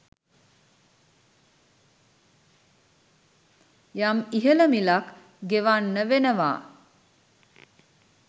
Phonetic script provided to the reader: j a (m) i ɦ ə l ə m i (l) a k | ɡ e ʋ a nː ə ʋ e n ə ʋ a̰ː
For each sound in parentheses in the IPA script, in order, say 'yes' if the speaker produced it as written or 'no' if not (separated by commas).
yes, yes